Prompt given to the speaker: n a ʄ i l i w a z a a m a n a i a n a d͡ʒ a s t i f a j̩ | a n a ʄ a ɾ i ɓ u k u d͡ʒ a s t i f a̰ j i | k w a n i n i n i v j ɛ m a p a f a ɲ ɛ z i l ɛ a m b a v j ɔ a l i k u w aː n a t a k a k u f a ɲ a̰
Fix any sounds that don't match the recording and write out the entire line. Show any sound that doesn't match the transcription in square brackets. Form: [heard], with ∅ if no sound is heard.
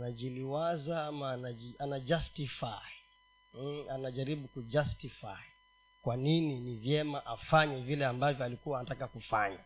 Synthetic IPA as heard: n a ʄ i l i w a z a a m a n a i a n a d͡ʒ a s t i f a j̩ | a n a ʄ a ɾ i ɓ u k u d͡ʒ a s t i f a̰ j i | k w a n i n i n i v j ɛ m a [ʔ] a f a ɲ ɛ [v] i l ɛ a m b a v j ɔ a l i k u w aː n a t a k a k u f a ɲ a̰